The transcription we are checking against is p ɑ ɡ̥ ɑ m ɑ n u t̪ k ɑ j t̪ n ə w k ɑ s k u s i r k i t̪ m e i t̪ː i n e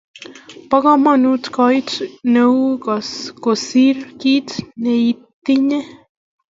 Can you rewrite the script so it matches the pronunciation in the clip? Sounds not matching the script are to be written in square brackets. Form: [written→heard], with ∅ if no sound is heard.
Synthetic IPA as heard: p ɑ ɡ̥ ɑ m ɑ n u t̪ k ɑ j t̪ n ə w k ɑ s k [u→o] s i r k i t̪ [m→n] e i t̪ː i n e

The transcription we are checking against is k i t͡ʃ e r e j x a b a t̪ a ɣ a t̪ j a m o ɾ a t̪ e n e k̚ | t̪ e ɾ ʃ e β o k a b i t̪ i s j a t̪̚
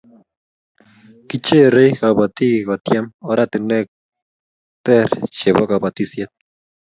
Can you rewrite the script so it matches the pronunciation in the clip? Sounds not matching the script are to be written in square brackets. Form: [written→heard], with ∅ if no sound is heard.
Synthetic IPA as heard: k i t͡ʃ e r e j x a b a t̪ [a→i] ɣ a t̪ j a m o ɾ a t̪ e n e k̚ | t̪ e ɾ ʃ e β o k a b [i→a] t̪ i s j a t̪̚

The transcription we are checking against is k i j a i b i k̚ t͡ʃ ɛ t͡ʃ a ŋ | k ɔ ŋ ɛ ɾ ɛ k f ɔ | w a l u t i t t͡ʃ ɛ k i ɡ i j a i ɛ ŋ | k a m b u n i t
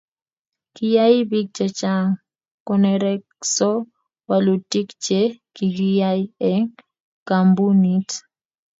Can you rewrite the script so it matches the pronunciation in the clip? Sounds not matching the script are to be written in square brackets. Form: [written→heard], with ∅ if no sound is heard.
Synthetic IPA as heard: k i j a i b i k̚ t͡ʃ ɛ t͡ʃ a ŋ | k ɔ [ŋ→n] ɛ ɾ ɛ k [f→s] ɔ | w a l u t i [t→k] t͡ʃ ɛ k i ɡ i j a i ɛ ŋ | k a m b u n i t

